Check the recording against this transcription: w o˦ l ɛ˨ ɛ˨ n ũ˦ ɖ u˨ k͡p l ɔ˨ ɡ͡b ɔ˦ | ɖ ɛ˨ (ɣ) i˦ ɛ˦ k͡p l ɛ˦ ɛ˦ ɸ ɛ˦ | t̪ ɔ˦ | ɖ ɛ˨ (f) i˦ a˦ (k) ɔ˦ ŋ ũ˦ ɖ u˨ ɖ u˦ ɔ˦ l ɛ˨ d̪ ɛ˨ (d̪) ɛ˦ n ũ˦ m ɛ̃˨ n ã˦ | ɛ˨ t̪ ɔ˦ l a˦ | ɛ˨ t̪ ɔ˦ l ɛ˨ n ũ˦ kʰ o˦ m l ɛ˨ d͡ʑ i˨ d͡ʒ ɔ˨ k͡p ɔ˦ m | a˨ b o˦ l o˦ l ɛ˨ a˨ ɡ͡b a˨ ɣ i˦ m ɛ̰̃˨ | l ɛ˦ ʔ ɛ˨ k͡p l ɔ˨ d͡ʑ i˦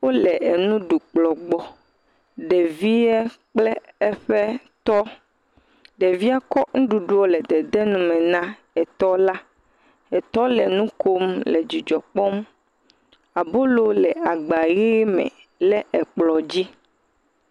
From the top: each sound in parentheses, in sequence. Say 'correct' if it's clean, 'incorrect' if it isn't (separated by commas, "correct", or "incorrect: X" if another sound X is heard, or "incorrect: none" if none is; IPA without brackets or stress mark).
incorrect: v, incorrect: v, correct, correct